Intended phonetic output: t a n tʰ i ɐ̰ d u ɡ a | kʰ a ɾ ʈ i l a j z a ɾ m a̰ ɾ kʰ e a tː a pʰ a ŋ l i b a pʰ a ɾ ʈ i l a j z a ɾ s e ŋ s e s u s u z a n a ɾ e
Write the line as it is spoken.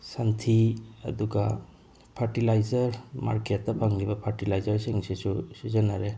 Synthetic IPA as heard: s a n tʰ i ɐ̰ d u ɡ a | pʰ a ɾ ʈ i l a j z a ɾ m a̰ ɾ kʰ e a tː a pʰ a ŋ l i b a pʰ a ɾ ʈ i l a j z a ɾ s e ŋ s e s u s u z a n a ɾ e

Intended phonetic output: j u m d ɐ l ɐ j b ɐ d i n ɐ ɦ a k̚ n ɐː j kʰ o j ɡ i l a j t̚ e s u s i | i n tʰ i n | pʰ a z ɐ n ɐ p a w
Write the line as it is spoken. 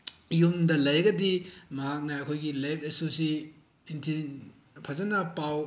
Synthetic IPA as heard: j u m d ɐ l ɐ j ɡ ɐ d i m ɐ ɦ a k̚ n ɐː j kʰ o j ɡ i l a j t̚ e s u s i | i n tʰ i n | pʰ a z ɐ n ɐ p a w

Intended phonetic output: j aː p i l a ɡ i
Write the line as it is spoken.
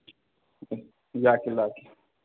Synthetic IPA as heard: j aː k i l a k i

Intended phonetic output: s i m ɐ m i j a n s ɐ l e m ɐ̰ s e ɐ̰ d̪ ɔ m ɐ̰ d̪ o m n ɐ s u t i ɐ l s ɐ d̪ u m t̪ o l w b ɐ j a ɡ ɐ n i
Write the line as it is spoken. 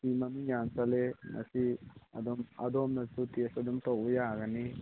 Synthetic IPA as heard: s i m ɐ m i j a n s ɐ l e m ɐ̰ s i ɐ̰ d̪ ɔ m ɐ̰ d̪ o m n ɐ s u t i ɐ s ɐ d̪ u m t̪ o w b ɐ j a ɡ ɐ n i

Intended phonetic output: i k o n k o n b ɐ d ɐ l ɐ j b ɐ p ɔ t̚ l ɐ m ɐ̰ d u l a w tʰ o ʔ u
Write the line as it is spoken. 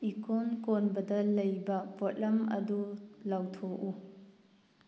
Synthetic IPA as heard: i k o n k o n b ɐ d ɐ l ɐ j b ɐ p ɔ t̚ l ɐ m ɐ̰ d u l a w tʰ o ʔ u

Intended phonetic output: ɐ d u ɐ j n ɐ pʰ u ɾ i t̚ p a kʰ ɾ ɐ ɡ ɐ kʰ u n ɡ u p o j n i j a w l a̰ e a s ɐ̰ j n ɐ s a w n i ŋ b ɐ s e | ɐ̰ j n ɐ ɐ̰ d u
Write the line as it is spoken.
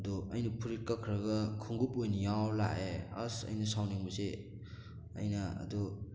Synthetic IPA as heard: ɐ d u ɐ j n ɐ pʰ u ɾ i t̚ k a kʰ ɾ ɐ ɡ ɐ kʰ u ŋ ɡ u p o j n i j a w l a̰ e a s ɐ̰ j n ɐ s a w n i ŋ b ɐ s e | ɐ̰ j n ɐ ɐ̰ d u

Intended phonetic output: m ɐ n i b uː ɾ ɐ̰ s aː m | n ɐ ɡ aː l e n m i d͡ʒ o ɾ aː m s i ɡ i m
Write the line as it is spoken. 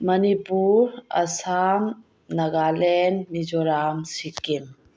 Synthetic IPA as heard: m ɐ n i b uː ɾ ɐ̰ s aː m | n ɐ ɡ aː l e n m i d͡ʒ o ɾ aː m s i k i m

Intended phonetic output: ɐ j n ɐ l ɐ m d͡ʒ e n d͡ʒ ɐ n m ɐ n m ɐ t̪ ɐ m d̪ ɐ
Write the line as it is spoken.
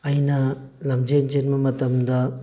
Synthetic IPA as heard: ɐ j n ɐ l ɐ m d͡ʒ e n d͡ʒ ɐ n m ɐ m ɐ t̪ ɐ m d̪ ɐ

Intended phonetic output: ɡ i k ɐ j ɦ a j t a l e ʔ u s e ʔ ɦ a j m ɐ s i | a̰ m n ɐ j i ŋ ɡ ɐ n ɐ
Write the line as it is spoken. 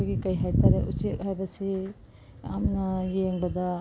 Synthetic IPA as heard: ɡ i k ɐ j ɦ a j t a ɾ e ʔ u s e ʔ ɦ a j b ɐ s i | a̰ m n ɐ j e ŋ b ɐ d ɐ

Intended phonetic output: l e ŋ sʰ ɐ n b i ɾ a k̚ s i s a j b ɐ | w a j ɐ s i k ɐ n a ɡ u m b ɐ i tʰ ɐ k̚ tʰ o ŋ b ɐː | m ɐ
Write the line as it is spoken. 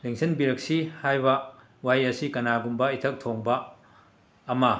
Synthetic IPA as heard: l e ŋ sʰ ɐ n b i ɾ ɐ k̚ s i h a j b ɐ | w a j ɐ s i k ɐ n a ɡ u m b ɐ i tʰ ɐ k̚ tʰ o ŋ b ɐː | m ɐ

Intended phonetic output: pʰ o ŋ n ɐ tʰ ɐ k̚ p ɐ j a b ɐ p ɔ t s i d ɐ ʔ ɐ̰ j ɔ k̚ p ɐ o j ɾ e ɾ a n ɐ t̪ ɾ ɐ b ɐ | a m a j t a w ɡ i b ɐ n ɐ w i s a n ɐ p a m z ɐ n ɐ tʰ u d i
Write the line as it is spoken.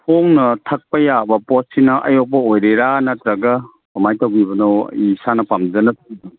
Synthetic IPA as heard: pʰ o ŋ n ɐ tʰ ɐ k̚ p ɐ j a b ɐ p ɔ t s i n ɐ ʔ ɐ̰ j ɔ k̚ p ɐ o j ɾ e ɾ a n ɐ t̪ ɾ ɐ ɡ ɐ | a m a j t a w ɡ i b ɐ n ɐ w i s a n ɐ p a m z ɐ n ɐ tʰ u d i

